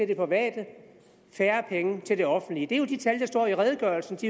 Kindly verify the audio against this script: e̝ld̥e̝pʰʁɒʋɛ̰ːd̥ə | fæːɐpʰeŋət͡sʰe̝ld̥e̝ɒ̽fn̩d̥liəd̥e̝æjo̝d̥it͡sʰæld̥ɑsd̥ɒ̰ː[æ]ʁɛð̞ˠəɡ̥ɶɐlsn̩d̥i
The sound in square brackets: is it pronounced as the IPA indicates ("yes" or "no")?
no